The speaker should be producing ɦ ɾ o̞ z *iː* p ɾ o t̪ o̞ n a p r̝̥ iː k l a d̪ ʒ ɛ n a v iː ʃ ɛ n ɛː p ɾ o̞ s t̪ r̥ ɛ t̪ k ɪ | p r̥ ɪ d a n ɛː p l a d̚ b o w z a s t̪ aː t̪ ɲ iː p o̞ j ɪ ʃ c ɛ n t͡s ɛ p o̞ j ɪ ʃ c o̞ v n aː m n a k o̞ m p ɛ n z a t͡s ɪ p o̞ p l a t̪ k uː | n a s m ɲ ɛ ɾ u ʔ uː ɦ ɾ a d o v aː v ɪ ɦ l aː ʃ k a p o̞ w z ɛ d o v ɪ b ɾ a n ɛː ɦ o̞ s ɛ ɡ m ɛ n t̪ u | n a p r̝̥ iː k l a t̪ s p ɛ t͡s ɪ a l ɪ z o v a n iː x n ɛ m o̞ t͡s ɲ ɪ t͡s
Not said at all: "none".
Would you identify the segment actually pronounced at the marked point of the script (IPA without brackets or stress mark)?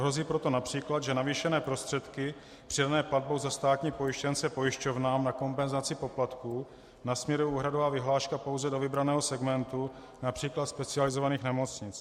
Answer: iː